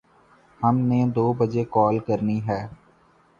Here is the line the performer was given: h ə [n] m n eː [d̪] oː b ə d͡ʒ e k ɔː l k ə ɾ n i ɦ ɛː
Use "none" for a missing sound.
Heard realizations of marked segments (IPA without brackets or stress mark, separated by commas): none, d̪